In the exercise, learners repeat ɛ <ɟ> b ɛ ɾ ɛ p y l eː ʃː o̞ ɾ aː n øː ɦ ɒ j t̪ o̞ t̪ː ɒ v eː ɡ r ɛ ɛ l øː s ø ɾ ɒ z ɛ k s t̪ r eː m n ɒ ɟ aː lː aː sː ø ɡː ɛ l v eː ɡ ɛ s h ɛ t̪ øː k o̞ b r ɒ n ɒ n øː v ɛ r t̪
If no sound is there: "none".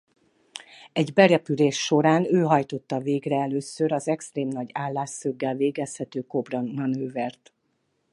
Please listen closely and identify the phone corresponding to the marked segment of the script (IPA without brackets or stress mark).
ɟ